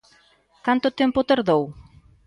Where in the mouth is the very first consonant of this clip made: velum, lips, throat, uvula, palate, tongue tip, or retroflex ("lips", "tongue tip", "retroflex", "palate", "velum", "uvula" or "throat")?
velum